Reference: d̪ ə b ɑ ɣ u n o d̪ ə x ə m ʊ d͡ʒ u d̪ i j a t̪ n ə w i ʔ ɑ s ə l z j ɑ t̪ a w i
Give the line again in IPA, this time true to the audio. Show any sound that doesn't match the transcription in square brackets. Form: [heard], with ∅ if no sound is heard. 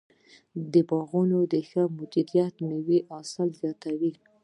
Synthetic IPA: d̪ ə b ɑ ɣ u n o d̪ ə x ə m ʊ d͡ʒ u d̪ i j a t̪ n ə w i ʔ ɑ s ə l z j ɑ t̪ a w i